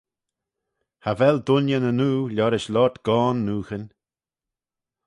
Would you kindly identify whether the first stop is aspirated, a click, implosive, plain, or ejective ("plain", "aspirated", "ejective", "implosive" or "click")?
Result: plain